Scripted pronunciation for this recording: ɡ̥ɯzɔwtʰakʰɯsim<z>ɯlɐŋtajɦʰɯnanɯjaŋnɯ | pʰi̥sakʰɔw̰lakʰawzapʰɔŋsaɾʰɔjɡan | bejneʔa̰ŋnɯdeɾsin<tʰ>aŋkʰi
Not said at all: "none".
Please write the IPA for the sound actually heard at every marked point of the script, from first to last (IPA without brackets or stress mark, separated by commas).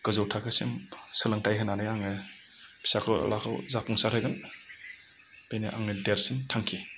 s, tʰ